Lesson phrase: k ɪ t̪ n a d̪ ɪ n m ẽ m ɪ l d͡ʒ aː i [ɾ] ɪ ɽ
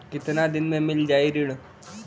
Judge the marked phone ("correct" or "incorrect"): correct